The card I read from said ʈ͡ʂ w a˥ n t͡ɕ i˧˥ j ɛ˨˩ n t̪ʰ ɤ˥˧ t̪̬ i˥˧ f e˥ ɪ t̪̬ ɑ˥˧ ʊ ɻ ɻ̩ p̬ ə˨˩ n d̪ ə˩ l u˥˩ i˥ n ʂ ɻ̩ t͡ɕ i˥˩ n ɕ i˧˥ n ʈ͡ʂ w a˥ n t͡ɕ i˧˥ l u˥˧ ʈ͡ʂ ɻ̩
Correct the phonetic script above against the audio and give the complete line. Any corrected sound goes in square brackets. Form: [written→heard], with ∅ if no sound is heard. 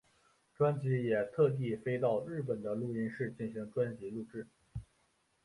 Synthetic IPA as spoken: ʈ͡ʂ w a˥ n t͡ɕ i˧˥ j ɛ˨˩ [n→∅] t̪ʰ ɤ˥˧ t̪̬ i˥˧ f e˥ ɪ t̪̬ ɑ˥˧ ʊ ɻ ɻ̩ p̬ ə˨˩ n d̪ [ə˩→ə˦] l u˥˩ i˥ n ʂ ɻ̩ t͡ɕ i˥˩ n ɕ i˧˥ [n→ŋ] ʈ͡ʂ w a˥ n t͡ɕ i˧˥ l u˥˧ ʈ͡ʂ ɻ̩